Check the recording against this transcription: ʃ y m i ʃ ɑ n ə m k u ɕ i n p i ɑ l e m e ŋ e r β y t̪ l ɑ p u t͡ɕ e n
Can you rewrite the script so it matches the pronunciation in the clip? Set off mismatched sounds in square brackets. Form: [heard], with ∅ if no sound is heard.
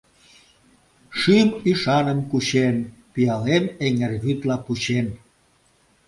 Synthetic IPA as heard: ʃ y m i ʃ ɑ n ə m k u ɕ [e] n p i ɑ l e m e ŋ e r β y t̪ l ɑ p u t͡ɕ e n